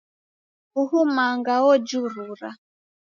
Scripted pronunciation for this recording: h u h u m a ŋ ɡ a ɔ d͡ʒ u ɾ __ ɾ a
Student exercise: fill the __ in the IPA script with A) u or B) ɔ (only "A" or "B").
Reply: A